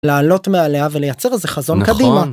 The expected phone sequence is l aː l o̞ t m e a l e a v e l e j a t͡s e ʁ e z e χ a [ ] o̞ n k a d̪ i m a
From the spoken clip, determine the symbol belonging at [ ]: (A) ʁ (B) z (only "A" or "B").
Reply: B